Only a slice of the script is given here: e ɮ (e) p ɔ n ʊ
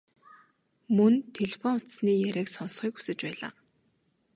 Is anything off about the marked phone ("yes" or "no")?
no